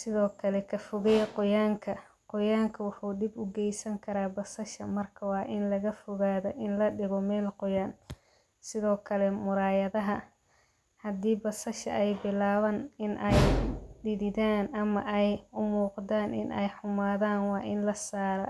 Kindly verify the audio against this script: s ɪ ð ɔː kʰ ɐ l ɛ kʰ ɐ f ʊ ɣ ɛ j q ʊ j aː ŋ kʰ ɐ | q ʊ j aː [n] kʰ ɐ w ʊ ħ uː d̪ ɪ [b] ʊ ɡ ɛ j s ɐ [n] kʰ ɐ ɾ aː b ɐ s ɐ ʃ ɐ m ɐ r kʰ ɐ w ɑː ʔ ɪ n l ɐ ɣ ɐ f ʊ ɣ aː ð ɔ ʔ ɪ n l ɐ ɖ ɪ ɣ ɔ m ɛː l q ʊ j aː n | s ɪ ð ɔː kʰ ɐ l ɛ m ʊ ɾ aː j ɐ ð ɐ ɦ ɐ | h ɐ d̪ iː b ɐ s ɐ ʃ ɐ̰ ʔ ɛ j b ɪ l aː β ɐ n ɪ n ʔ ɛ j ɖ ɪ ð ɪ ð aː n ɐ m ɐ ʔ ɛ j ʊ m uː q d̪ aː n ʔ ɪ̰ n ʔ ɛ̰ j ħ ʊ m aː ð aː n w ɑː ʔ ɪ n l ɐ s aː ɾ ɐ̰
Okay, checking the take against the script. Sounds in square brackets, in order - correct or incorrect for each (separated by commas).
incorrect, correct, incorrect